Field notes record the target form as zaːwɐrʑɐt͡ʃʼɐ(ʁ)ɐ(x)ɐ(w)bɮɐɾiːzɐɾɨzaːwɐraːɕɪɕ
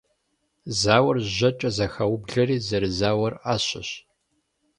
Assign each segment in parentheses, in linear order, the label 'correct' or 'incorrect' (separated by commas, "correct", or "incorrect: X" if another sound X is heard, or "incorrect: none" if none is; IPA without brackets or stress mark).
incorrect: z, correct, correct